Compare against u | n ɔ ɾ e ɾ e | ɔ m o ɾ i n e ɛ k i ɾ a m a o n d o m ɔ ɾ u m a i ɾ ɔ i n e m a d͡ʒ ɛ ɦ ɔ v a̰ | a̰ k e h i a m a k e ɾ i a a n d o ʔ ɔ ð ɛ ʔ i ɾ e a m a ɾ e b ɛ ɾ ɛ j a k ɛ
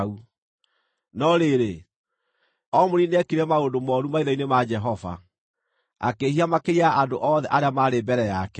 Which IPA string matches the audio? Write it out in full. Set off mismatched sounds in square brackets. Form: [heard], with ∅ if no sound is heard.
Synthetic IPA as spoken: u | n ɔ ɾ e ɾ e | ɔ m o ɾ i n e ɛ k i ɾ [ɛ] m a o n d o m ɔ ɾ u m a i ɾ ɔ i n e m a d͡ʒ ɛ ɦ ɔ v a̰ | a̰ k e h i a m a k e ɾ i a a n d o ʔ ɔ ð ɛ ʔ [a] ɾ e a m a ɾ e b ɛ ɾ ɛ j a k ɛ